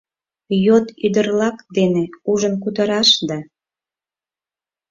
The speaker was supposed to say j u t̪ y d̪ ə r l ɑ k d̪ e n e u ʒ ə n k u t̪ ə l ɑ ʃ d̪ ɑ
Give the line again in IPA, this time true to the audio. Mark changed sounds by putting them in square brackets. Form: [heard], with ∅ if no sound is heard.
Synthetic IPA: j [o] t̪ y d̪ ə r l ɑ k d̪ e n e u ʒ ə n k u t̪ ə [ɾ] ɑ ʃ d̪ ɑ